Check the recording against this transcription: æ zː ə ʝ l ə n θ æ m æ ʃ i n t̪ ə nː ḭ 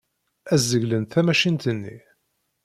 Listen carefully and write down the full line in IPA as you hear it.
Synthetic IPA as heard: æ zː ə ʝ l ə n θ æ m æ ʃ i n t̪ ə nː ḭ